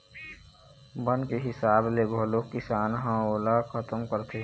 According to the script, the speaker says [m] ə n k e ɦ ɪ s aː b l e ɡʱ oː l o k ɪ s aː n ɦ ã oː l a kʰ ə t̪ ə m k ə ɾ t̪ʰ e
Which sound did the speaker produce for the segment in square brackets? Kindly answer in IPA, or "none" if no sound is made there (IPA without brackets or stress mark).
b